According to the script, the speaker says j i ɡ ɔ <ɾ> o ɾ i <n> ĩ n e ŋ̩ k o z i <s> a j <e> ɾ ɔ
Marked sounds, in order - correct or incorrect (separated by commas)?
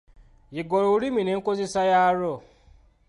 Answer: correct, incorrect, correct, incorrect